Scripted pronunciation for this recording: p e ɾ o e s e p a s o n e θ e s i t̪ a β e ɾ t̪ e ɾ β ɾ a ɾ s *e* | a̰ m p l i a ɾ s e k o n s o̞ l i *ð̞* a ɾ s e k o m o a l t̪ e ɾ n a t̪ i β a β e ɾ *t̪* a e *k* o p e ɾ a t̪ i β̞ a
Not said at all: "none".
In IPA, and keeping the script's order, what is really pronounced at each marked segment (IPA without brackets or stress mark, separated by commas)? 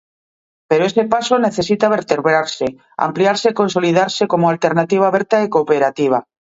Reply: e, ð̞, t̪, k